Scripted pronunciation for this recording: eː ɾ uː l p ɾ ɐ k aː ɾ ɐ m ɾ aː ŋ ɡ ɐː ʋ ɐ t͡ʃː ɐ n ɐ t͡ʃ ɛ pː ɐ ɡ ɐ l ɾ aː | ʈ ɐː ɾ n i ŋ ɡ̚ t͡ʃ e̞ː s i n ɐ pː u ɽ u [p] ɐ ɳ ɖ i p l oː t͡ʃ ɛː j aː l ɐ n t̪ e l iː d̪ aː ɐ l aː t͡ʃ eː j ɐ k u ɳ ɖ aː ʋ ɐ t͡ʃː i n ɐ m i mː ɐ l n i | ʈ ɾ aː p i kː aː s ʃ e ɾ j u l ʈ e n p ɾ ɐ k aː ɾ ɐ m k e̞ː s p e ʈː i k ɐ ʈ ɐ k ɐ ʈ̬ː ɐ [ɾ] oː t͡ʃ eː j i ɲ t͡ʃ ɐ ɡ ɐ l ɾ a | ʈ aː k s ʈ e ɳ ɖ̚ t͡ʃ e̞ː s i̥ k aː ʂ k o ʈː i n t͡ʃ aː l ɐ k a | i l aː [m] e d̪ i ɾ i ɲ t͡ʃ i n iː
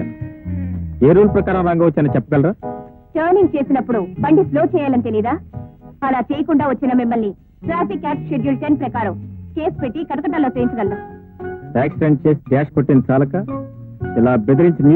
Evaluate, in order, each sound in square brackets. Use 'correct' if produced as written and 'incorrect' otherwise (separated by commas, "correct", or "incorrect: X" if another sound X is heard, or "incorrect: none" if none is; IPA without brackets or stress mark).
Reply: incorrect: b, incorrect: l, incorrect: b